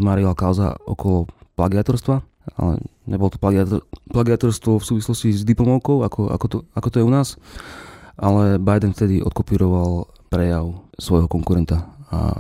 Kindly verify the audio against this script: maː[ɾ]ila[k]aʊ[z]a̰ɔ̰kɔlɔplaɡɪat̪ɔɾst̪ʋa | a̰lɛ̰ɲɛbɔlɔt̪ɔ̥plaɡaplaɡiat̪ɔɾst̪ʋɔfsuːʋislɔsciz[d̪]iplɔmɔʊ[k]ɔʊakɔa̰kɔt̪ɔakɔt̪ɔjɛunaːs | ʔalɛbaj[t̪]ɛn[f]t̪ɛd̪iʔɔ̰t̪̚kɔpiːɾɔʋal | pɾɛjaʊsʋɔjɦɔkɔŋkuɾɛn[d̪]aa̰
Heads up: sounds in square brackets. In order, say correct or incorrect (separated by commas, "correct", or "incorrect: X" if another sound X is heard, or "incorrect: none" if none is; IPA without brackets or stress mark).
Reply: correct, correct, correct, correct, correct, incorrect: d̪, correct, incorrect: t̪